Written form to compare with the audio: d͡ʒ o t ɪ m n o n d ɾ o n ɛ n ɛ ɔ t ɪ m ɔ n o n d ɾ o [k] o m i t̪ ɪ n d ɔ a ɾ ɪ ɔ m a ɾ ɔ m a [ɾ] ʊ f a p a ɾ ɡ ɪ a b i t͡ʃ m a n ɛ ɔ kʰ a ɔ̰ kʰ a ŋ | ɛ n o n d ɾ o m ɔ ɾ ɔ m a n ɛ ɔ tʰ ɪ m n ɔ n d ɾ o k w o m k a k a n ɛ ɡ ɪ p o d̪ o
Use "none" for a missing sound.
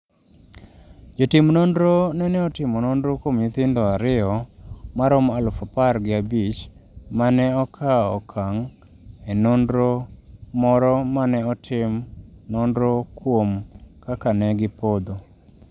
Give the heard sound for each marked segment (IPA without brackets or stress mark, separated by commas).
k, l